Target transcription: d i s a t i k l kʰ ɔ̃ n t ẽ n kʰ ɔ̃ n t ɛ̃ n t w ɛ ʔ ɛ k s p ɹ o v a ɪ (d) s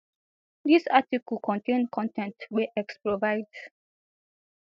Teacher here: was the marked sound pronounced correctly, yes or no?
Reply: yes